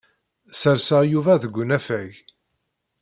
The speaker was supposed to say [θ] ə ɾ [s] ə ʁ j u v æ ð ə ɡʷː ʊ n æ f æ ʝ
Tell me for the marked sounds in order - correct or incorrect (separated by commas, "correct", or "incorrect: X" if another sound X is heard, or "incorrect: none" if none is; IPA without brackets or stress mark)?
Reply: incorrect: s, correct